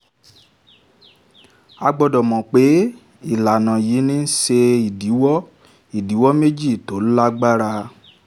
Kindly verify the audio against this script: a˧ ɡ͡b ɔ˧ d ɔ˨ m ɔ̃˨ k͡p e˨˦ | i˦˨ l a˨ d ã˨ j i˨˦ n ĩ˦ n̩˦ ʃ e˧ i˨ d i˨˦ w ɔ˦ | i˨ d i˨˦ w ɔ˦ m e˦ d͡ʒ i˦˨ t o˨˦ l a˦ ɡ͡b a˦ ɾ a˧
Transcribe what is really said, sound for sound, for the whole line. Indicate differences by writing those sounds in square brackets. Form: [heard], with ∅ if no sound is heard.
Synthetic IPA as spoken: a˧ ɡ͡b ɔ˧ d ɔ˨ m ɔ̃˨ k͡p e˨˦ | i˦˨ l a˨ [n] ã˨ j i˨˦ n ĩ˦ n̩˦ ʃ e˧ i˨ d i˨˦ w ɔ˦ | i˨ d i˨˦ w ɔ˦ m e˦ d͡ʒ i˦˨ t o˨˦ l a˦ ɡ͡b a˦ ɾ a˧

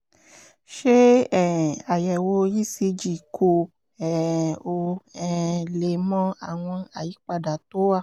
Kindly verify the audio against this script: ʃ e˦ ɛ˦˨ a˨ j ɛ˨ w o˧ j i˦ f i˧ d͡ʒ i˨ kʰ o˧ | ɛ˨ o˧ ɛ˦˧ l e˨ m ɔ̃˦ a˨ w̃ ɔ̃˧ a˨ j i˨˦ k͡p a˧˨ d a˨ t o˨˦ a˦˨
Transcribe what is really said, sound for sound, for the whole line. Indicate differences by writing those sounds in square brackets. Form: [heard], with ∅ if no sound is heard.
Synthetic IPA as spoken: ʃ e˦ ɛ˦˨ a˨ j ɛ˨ w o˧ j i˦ [s] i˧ d͡ʒ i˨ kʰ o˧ | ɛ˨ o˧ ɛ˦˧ l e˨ m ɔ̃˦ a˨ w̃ ɔ̃˧ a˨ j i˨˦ k͡p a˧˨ d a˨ t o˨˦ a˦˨

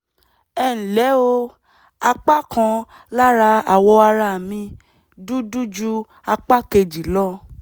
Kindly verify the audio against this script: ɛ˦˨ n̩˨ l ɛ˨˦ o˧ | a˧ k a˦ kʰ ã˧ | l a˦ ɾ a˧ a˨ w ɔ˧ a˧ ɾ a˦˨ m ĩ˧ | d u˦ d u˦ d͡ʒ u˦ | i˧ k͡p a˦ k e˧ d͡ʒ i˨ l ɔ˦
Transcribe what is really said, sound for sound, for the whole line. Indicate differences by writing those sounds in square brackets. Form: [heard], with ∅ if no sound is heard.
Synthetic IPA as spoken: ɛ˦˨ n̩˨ l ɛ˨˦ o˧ | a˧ [k͡p] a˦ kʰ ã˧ | l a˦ ɾ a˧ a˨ w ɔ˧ a˧ ɾ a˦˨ m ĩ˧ | d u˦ d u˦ d͡ʒ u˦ | [a˧] k͡p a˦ k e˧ d͡ʒ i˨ l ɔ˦

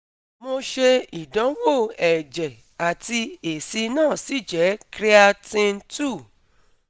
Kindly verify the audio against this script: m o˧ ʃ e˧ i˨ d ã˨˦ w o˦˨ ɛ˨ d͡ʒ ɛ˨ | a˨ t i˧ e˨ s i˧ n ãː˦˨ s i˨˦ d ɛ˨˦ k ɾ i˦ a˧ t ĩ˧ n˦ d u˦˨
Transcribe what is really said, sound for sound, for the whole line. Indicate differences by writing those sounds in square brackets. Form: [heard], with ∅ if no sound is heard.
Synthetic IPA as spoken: m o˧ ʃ e˧ i˨ d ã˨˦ w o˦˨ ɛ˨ d͡ʒ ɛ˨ | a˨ t i˧ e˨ s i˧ n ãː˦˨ s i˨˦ [d͡ʒ] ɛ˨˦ k ɾ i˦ a˧ t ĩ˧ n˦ [t] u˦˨

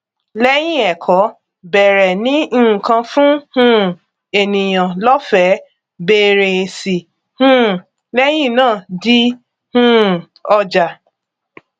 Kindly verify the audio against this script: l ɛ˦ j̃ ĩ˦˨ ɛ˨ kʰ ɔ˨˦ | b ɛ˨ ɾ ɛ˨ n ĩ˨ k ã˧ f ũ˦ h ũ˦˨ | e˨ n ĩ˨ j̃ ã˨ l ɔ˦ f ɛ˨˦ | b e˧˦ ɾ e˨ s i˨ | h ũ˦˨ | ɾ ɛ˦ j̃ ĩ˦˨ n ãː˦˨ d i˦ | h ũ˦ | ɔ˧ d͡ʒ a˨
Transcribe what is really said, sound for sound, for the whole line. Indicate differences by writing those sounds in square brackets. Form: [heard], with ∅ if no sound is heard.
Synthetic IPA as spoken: l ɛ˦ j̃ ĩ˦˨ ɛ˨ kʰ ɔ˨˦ | b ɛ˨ ɾ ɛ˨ n [ĩ˦˨] k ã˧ f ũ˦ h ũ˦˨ | e˨ n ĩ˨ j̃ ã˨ l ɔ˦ f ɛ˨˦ | b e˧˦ ɾ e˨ s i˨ | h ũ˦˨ | [l] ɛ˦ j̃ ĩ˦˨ n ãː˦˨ d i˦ | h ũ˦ | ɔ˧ d͡ʒ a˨

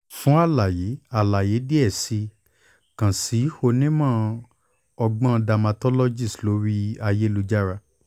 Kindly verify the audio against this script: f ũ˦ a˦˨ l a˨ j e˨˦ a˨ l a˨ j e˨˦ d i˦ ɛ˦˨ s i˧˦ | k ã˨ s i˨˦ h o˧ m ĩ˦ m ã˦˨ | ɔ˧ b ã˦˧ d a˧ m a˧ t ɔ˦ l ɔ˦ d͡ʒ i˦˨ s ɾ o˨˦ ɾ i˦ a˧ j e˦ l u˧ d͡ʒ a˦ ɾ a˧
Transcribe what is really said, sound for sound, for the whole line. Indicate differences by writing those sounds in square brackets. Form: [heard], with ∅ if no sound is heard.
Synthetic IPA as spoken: f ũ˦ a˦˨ l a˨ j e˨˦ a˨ l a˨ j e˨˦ d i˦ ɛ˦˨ s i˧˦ | k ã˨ s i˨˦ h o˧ [n] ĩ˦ m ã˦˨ | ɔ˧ [ɡ͡b] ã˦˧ d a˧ m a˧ t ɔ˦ l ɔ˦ d͡ʒ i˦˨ s [l] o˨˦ ɾ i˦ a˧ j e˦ l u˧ d͡ʒ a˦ ɾ a˧

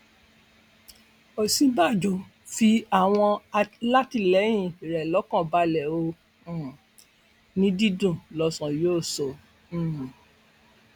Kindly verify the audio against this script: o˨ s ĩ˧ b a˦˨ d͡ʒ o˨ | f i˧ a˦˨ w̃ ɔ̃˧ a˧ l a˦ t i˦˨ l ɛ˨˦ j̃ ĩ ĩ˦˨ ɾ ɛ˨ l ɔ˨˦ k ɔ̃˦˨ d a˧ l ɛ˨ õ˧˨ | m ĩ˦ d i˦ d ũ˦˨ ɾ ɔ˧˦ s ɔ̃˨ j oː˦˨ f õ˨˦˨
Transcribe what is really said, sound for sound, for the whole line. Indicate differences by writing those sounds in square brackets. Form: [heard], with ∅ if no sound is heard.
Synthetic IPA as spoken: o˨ s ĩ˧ b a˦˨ d͡ʒ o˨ | f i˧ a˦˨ w̃ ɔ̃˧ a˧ l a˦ t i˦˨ l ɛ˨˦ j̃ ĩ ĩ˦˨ ɾ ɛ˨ l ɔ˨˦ k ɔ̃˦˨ [b] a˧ l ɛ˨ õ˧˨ | [n] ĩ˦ d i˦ d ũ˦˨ [l] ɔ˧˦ s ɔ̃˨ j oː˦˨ [s] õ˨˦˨

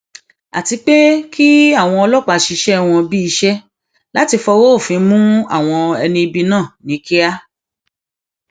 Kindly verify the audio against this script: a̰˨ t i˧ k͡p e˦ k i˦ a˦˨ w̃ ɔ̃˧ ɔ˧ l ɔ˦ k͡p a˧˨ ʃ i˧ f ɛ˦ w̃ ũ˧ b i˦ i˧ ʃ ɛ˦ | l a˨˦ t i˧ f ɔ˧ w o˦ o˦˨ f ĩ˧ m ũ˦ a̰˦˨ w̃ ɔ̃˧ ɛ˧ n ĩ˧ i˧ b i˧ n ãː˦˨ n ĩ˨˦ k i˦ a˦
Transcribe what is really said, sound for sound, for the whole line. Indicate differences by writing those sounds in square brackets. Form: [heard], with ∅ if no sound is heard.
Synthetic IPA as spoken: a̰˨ t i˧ k͡p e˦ k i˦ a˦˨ w̃ ɔ̃˧ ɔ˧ l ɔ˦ k͡p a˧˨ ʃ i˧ [ʃ] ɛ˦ w̃ [ɔ̃˧] b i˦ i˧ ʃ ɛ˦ | l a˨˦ t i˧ f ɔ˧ w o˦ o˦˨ f ĩ˧ m ũ˦ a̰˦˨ w̃ ɔ̃˧ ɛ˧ n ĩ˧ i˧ b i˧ n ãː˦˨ n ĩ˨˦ k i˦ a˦

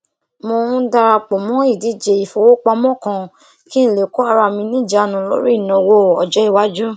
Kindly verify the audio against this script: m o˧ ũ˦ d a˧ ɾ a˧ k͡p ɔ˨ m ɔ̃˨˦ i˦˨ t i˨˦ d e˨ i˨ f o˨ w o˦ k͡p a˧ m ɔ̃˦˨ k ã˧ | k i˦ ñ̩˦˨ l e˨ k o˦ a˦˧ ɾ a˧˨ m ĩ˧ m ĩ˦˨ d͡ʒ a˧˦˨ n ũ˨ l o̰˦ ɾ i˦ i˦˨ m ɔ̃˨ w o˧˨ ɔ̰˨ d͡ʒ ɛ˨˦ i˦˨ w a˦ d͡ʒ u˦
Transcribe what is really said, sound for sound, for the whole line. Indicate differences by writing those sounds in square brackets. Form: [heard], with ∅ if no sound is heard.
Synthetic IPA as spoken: m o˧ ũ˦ d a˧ ɾ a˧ k͡p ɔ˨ m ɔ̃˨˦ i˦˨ [d] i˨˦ [d͡ʒ] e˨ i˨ f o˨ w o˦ k͡p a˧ m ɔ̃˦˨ k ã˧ | k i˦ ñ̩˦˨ l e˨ k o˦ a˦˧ ɾ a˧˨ m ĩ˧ [n] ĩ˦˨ d͡ʒ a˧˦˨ n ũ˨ l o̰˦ ɾ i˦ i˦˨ [n] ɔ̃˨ w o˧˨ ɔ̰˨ d͡ʒ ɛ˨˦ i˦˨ w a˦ d͡ʒ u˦

